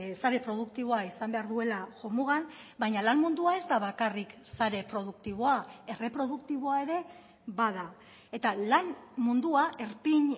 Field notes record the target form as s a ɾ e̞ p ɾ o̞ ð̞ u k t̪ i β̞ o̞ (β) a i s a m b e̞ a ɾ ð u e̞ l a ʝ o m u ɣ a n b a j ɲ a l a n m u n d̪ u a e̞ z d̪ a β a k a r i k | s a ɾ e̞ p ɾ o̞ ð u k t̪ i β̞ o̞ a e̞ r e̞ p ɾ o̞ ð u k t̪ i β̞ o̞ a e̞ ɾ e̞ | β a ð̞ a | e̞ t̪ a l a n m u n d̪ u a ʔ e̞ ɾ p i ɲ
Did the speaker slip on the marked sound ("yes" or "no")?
yes